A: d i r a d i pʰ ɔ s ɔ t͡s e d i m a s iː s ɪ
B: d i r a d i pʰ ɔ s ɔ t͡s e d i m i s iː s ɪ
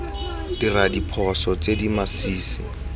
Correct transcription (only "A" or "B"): A